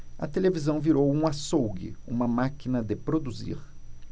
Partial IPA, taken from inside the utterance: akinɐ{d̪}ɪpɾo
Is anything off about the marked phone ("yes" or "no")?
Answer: no